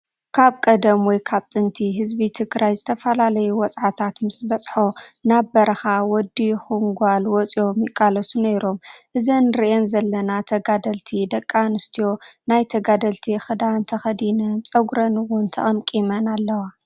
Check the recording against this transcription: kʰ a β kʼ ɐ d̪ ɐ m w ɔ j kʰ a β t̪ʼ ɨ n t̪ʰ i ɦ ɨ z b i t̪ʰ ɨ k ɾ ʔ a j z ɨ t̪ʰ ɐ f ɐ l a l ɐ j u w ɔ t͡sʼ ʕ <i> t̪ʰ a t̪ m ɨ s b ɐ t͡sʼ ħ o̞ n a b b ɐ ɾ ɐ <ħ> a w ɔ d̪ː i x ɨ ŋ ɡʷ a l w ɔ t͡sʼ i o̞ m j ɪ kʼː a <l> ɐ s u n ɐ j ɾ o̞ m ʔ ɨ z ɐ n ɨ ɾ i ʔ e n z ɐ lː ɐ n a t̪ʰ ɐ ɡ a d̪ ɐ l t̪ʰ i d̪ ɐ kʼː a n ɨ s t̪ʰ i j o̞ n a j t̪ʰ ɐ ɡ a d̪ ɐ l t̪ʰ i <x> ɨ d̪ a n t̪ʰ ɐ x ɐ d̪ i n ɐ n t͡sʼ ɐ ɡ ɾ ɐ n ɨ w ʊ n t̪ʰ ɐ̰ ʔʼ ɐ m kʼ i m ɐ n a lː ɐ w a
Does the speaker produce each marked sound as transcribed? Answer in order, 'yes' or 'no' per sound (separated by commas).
no, no, yes, yes